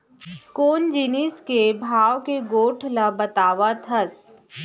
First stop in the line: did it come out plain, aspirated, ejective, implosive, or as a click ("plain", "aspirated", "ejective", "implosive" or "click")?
plain